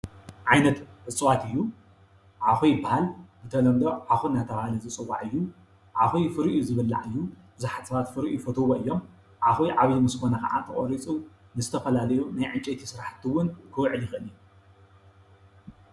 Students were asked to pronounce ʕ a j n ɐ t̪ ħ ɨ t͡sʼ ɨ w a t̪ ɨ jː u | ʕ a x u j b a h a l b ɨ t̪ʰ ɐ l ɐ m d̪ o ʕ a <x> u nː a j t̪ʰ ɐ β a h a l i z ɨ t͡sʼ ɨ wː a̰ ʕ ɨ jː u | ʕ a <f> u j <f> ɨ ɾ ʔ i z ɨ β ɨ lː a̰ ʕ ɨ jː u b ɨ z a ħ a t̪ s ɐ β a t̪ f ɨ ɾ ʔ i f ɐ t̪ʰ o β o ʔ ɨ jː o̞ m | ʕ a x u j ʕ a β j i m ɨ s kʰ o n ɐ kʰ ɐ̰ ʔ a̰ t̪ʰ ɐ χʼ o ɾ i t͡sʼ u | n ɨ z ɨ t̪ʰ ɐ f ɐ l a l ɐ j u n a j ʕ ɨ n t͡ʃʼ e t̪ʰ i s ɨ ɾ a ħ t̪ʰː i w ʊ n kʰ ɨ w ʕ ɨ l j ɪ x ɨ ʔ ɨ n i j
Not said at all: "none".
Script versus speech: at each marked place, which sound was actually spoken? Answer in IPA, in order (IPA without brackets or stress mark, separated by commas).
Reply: x, x, f